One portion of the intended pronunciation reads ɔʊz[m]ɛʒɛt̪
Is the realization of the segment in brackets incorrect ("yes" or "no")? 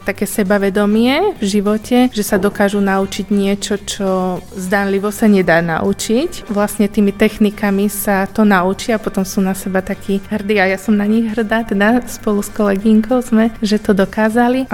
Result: no